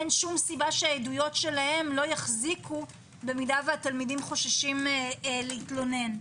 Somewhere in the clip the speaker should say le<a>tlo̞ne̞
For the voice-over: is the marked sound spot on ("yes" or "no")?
no